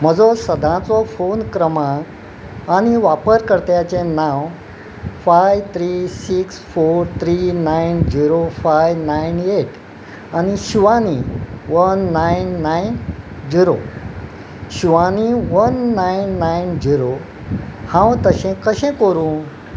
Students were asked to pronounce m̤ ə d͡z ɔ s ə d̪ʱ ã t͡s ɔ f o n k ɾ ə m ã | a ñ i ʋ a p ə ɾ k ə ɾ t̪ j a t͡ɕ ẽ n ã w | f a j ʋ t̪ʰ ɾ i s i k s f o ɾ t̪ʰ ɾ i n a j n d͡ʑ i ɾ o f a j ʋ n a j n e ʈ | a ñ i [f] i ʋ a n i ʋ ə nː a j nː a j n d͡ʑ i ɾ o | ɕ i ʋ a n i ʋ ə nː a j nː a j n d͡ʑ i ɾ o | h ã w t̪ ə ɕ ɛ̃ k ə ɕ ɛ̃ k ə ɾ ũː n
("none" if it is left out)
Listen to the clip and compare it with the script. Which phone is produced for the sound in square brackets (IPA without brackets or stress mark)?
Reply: ɕ